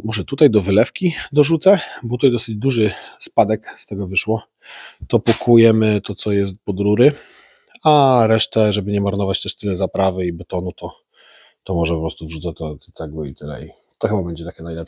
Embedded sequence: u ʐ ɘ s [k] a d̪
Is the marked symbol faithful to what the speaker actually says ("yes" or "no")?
no